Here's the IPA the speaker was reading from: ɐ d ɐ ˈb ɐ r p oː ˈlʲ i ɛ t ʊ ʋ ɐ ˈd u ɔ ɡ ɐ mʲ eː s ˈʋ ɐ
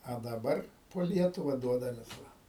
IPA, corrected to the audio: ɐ d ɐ ˈb ɐ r p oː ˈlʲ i ɛ t ʊ ʋ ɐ ˈd u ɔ d ɐ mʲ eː s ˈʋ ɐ